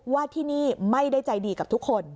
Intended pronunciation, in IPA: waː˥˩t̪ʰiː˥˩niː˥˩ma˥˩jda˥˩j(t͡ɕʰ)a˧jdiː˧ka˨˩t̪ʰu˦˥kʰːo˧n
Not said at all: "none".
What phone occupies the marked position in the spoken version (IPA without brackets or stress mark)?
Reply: t͡ɕ